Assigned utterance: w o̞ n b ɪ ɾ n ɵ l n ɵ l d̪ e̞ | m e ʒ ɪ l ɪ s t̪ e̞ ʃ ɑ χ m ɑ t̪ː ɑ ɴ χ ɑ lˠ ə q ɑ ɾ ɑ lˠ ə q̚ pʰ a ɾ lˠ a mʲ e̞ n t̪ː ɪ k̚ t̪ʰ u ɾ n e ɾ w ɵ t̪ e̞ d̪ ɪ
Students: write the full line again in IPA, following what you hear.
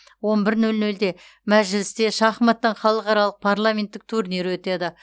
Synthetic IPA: w o̞ n b ɪ ɾ n ɵ l n ɵ l d̪ e̞ | m æ ʒ ɪ l ɪ s t̪ e̞ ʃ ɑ χ m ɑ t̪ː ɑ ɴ χ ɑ lˠ ə q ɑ ɾ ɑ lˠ ə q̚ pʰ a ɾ lˠ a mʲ e̞ n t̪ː ɪ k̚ t̪ʰ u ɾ n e ɾ w ɵ t̪ e̞ d̪ ɪ